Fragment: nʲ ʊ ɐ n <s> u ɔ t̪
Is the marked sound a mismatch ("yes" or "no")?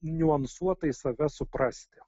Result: no